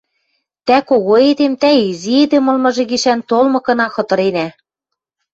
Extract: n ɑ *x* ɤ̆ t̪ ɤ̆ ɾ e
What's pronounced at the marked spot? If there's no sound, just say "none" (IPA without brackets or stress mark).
x